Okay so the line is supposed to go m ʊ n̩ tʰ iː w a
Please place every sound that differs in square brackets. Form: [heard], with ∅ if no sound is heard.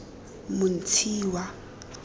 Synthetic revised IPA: m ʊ n̩ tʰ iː w a